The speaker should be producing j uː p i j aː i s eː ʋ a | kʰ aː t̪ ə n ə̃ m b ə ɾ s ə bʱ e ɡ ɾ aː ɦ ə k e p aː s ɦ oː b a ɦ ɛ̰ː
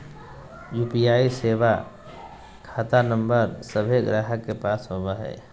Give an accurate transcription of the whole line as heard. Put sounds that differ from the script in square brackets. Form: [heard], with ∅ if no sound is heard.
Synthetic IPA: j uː p i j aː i s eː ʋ a | kʰ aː t̪ [a] n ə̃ m b ə ɾ s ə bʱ e ɡ ɾ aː ɦ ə k e p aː s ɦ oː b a ɦ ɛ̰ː